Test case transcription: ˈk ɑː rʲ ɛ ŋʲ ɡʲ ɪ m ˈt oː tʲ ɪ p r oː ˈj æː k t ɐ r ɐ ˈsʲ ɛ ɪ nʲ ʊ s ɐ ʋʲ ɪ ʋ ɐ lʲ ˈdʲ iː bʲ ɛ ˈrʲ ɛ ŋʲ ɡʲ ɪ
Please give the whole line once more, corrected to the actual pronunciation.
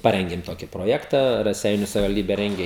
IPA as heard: ˈp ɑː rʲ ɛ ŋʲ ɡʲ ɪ m ˈt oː kʲ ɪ p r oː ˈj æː k t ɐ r ɐ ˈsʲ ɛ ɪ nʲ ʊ s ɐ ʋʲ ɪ ʋ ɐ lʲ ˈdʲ iː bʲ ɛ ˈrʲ ɛ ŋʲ ɡʲ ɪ